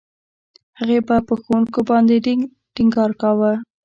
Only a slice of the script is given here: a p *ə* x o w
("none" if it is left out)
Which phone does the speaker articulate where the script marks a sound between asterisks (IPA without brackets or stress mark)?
ə